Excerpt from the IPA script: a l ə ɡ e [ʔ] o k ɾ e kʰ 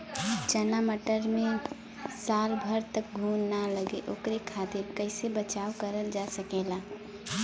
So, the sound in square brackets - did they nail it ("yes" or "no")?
yes